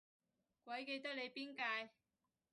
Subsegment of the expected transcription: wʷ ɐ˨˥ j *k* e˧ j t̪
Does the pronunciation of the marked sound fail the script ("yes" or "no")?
no